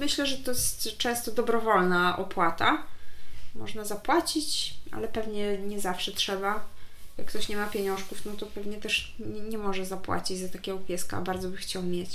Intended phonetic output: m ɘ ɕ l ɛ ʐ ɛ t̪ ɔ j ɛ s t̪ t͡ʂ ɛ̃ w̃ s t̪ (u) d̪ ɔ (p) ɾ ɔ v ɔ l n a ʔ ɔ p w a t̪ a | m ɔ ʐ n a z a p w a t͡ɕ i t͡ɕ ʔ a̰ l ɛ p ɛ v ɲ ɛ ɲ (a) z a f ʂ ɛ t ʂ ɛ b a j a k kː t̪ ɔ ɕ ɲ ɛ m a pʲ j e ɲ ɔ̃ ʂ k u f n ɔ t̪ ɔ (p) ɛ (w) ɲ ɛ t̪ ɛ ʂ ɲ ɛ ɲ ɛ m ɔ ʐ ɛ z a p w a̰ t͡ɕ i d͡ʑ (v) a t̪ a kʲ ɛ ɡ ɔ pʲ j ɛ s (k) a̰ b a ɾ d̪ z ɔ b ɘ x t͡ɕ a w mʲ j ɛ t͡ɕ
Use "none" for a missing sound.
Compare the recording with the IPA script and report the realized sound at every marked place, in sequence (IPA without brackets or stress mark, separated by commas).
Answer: ɔ, b, ɛ, p, v, z, k